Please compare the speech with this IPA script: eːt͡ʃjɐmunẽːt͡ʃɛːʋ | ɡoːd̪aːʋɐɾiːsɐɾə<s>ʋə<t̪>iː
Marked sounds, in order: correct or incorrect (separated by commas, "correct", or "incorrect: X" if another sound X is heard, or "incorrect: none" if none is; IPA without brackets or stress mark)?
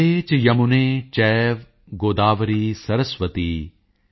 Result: correct, correct